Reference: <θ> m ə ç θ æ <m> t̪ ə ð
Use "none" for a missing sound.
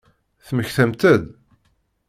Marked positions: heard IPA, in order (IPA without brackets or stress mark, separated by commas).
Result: θ, m